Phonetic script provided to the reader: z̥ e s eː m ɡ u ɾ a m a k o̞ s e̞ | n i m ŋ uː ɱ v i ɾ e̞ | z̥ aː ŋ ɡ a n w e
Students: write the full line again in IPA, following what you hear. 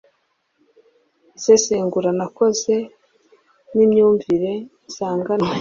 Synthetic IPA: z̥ e s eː ŋ ɡ u ɾ a n a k o̞ z e̞ | n i m ɲ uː ɱ v i ɾ e̞ | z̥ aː ŋ ɡ a n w e

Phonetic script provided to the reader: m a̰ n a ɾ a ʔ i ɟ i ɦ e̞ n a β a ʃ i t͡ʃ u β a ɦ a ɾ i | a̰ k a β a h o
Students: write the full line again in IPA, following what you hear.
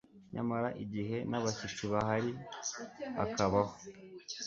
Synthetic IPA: ɲ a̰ m a ɾ a ʔ i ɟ i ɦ e̞ n a β a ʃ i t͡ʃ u β a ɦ a ɾ i | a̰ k a β a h o

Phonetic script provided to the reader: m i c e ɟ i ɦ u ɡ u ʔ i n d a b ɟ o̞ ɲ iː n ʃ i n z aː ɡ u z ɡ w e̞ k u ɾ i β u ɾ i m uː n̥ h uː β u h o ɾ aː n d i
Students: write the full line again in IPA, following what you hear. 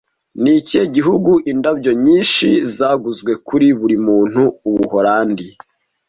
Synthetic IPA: n i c e ɟ i ɦ u ɡ u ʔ i n d a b ɟ o̞ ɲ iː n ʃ i z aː ɡ u z ɡ w e̞ k u ɾ i β u ɾ i m uː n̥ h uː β u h o ɾ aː n d i

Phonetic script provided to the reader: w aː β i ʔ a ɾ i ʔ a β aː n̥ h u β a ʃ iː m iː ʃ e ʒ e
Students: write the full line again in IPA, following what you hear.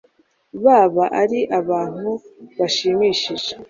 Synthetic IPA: β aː β a ʔ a ɾ i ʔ a β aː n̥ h u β a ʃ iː m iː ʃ i ʒ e

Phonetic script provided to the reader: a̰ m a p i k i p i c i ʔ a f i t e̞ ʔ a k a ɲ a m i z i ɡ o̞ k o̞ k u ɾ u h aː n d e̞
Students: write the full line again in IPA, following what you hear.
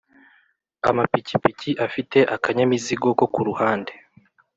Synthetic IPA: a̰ m a p i c i p i c i ʔ a f i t e̞ ʔ a k a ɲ a m i z i ɡ o̞ k o̞ k u ɾ u h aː n d e̞

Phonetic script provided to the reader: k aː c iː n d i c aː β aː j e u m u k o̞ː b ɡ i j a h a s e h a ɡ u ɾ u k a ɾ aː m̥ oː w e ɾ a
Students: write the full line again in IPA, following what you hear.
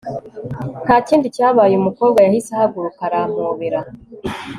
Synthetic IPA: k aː c iː n d i c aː β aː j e u m u k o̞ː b ɡ a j a h i s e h a ɡ u ɾ u k a ɾ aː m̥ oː β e ɾ a

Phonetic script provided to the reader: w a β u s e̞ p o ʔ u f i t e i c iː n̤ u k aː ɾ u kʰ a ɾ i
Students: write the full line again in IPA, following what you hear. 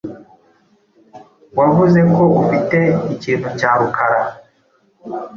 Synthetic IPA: w a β u z e̞ k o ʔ u f i t e i c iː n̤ u c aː ɾ u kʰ a ɾ a

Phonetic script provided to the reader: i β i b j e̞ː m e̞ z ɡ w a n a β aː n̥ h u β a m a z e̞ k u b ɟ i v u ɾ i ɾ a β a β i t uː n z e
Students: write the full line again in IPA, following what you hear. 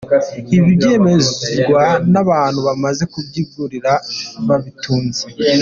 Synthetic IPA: i β i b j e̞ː m e̞ z ɡ w a n a β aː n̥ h u β a m a z e̞ k u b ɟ i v u ɾ i ɾ a β a β i t uː n z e

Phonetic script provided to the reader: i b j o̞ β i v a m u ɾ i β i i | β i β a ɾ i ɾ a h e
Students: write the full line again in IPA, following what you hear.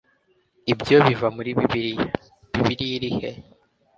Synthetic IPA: i b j o̞ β i v a m u ɾ i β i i | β i β i ɾ i ɾ i h e

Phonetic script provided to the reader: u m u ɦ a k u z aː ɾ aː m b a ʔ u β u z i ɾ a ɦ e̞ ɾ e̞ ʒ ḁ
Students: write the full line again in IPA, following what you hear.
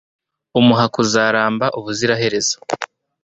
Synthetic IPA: u m u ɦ a k u z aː ɾ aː m b a ʔ u β u z i ɾ a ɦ e̞ ɾ e̞ z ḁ

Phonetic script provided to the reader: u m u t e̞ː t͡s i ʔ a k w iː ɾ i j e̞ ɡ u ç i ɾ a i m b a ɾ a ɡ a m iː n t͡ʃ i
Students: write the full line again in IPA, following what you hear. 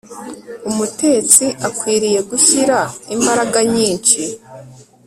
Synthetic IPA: u m u t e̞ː t͡s i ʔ a k w iː ɾ i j e̞ ɡ u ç i ɾ a i m b a ɾ a ɡ a ɲ iː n t͡ʃ i

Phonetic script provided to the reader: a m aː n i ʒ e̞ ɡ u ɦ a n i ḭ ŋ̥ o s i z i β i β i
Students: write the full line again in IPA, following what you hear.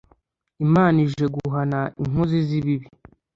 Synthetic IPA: i m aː n i ʒ e̞ ɡ u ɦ a n a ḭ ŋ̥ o z i z i β i β i

